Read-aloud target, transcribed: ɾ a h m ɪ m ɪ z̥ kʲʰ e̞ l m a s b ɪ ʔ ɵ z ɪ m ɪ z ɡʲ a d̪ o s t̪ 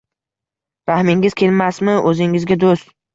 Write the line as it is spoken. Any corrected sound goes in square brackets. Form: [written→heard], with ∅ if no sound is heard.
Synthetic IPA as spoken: ɾ a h m ɪ [m→ŋ] ɪ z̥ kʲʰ e̞ l m a s [b→m] ɪ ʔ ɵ z ɪ [m→ŋ] ɪ z ɡʲ a d̪ o s t̪